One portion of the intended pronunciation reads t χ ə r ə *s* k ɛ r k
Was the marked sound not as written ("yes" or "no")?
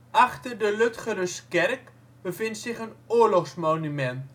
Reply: no